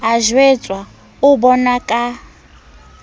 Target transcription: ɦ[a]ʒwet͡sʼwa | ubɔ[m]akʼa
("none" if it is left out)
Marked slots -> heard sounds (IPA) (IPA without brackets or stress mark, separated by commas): a, n